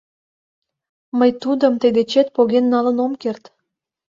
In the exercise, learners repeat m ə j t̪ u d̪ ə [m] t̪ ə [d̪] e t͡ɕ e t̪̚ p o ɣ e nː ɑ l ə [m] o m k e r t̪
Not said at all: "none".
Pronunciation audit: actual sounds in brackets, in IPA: m, d̪, n

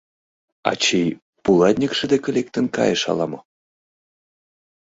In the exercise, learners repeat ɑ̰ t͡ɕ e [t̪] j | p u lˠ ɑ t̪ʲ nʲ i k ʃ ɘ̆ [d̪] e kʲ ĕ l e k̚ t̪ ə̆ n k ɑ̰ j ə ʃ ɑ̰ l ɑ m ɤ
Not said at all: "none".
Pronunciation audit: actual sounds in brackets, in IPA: none, d̪

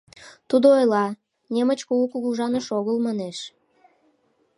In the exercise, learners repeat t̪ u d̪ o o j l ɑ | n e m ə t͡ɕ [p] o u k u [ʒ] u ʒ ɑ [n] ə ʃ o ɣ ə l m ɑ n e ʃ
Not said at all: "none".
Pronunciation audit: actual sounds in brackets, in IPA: k, ɣ, n

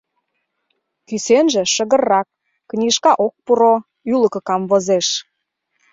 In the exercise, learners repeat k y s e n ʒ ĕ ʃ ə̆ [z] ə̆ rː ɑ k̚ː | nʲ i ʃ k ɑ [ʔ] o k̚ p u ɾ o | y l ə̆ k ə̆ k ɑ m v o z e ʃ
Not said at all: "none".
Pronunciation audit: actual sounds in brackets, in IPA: ɣ, ʔ

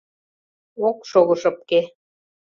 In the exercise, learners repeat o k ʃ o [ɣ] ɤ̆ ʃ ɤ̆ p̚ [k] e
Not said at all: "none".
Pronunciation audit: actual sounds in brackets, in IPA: ɣ, k

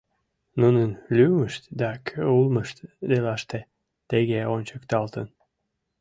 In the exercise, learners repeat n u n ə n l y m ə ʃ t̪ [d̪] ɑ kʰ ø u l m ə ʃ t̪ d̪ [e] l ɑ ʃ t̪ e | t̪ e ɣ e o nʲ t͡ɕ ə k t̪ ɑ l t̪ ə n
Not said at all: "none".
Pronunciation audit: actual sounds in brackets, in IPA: d̪, e

